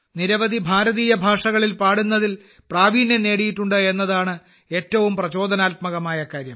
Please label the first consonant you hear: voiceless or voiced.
voiced